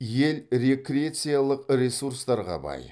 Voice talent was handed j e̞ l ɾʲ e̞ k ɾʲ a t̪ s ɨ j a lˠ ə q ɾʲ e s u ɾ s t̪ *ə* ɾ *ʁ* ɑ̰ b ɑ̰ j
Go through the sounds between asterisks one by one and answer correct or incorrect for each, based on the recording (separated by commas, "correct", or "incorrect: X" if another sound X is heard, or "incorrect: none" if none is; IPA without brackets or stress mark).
incorrect: ɑ, correct